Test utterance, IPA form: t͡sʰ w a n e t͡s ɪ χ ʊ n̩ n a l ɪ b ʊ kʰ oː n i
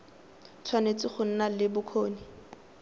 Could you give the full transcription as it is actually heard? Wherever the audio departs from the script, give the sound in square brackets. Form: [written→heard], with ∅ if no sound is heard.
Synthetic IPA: t͡sʰ w a n e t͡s ɪ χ ʊ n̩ n a l ɪ b ʊ kʰ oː n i